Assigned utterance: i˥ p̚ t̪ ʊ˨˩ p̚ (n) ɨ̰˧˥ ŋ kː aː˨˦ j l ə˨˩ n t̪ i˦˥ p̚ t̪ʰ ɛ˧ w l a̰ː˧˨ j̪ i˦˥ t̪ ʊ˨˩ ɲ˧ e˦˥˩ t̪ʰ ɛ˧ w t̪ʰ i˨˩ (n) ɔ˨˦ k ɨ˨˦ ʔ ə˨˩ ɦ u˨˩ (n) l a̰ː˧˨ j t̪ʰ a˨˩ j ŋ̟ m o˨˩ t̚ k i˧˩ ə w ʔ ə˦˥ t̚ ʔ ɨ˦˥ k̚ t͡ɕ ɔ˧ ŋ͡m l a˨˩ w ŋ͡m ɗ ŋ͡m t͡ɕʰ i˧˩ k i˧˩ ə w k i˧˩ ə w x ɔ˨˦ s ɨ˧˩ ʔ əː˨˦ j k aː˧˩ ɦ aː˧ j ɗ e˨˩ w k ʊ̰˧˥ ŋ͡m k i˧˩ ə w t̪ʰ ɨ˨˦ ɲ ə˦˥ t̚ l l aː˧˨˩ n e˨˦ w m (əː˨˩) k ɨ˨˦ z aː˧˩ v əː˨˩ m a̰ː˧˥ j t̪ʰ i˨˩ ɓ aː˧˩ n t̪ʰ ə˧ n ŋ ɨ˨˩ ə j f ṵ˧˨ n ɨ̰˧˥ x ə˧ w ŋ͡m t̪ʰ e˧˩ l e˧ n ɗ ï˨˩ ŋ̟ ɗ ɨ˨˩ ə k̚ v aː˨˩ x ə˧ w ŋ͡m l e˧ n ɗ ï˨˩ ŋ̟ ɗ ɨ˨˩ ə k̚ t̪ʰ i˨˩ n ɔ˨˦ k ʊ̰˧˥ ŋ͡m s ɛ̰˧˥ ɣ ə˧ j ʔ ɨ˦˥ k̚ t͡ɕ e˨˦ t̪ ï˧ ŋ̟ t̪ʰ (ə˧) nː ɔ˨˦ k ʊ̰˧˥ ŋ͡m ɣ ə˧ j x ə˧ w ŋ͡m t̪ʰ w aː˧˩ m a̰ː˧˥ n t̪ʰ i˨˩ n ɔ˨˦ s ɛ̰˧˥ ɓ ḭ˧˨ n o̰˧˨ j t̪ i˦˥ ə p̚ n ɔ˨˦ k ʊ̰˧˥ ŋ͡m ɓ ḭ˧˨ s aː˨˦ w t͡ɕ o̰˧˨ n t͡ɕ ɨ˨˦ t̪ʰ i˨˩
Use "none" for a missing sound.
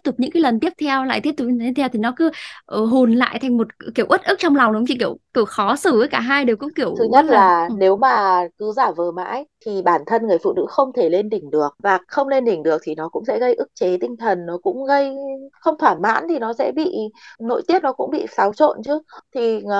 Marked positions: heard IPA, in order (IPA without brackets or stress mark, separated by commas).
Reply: ɲ, n, n, aː˨˩, ə˨˩